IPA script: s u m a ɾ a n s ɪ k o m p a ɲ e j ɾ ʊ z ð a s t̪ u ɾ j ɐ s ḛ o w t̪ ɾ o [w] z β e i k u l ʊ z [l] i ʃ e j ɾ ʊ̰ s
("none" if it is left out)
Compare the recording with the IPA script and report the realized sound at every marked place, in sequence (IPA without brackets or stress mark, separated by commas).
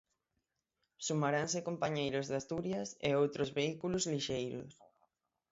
none, l